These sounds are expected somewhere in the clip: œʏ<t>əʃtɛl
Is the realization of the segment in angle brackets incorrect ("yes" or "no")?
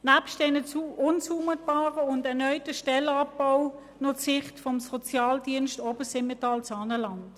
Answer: no